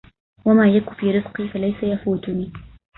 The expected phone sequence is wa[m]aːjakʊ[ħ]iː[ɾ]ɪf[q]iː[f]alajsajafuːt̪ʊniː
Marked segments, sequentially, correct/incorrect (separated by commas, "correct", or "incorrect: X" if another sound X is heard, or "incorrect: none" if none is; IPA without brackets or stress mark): correct, incorrect: f, correct, correct, correct